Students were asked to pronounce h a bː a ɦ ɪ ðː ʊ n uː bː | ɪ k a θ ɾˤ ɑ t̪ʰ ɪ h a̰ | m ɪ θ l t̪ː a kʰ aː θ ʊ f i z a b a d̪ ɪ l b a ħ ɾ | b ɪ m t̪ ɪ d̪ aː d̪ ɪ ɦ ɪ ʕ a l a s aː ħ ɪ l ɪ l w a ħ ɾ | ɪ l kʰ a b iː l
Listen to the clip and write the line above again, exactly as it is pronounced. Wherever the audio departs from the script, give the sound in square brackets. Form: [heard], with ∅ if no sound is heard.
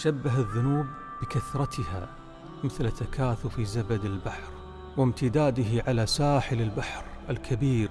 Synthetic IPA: [ʃ] a bː a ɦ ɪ ðː ʊ n uː bː | ɪ k a θ ɾˤ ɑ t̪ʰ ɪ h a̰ | m ɪ θ l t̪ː a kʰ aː θ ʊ f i z a b a d̪ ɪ l b a ħ ɾ | [w] ɪ m t̪ ɪ d̪ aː d̪ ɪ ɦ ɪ ʕ a l a s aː ħ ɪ l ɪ l [b] a ħ ɾ | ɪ l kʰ a b iː [ɾ]